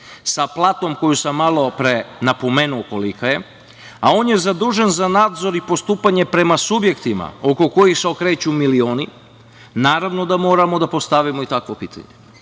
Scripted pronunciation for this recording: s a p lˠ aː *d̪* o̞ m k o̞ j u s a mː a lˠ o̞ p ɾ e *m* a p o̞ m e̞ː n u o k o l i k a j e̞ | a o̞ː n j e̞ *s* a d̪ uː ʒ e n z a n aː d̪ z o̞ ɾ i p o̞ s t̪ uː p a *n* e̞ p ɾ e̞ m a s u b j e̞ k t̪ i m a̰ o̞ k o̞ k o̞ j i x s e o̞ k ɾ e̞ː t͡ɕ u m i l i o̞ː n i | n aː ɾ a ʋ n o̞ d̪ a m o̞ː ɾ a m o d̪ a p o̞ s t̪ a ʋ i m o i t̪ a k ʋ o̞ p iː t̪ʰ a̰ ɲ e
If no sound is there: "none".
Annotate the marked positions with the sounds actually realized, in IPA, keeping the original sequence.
t̪, n, z, ɲ

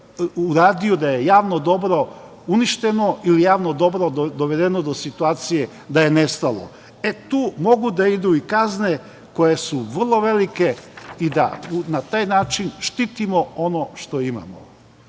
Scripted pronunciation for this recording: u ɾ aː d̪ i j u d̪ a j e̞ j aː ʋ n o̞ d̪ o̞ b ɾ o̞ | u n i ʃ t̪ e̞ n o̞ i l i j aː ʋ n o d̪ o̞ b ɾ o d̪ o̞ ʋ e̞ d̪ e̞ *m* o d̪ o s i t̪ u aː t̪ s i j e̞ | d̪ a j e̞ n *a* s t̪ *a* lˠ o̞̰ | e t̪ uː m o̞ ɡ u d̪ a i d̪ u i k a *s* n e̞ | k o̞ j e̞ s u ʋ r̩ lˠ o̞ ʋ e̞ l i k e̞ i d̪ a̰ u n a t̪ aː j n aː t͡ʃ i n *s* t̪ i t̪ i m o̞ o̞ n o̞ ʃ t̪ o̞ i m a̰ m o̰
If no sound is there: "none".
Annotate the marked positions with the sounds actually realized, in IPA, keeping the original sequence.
n, e, a, z, ʃ

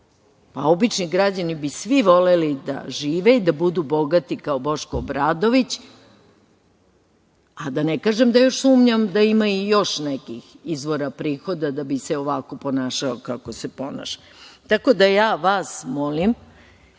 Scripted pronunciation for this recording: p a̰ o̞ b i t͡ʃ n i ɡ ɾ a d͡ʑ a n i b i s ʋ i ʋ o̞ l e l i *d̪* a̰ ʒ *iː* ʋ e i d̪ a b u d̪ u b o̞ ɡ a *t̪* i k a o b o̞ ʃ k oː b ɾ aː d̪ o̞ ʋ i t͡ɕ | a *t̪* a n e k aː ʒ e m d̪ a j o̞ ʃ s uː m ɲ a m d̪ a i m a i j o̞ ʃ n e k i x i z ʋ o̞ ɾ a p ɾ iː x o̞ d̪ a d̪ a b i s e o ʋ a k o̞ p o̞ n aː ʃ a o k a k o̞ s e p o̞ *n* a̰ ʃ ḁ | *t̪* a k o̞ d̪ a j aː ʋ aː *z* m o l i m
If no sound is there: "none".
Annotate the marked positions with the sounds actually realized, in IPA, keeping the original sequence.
d̪, iː, t̪, d̪, n, t̪, s

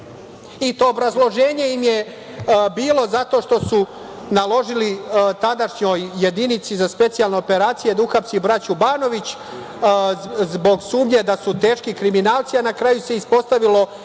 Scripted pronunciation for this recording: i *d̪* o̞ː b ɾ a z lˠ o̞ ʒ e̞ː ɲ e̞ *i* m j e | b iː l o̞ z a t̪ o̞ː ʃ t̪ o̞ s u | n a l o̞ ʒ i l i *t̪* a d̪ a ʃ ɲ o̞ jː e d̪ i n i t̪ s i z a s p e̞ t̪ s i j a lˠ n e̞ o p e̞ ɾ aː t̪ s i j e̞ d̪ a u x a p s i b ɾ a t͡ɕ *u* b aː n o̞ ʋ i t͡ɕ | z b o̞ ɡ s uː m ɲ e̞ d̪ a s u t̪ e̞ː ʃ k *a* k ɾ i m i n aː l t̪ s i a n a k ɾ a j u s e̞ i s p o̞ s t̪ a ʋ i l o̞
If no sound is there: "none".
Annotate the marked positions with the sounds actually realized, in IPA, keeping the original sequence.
t̪, i, t̪, u, i

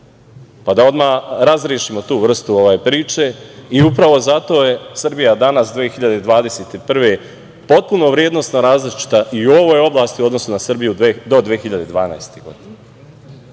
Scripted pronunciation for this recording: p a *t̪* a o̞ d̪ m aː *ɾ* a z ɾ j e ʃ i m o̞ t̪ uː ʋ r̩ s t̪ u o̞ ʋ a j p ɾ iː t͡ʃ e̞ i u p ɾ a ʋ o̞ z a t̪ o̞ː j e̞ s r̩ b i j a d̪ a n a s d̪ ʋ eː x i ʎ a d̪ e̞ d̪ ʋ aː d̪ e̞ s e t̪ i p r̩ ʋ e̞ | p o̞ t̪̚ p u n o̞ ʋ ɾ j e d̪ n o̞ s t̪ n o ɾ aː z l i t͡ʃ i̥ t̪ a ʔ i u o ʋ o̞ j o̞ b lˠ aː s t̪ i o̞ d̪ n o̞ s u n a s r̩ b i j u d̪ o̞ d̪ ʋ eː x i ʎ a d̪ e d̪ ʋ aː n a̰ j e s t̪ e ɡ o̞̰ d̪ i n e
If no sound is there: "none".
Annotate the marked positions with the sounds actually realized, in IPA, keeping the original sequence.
d̪, ɾ

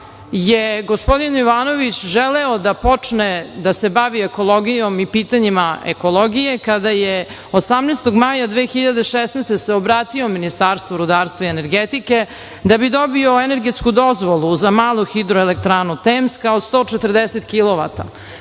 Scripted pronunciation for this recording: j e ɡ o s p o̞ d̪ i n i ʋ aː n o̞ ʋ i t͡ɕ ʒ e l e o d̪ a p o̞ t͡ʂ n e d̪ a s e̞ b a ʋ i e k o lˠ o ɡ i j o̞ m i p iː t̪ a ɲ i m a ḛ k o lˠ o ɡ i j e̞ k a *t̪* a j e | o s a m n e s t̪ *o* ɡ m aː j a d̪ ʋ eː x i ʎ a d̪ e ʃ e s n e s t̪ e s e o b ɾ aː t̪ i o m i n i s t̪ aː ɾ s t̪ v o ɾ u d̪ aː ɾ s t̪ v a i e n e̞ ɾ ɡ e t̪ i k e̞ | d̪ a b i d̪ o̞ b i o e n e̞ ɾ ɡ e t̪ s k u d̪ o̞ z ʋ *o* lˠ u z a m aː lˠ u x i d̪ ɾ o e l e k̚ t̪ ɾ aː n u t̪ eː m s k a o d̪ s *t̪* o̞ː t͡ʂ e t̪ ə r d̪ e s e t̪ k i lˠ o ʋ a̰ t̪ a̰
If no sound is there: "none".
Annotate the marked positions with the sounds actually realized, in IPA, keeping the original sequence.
d̪, o, o, t̪

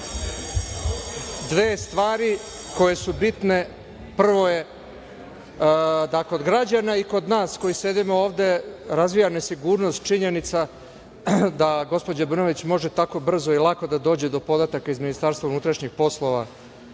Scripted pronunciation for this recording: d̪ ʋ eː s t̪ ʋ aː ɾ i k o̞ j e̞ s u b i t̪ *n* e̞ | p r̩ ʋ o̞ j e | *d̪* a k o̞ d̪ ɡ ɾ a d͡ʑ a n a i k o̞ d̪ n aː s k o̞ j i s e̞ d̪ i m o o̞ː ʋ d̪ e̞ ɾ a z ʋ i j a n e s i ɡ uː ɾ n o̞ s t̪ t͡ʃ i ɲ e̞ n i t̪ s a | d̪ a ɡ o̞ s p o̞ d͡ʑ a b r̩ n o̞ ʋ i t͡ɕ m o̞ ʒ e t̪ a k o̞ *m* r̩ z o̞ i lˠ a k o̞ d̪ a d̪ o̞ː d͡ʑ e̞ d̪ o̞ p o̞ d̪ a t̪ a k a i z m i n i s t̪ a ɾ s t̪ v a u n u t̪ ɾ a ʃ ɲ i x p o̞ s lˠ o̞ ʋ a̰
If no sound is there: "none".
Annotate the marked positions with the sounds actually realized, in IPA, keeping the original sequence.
n, d̪, b

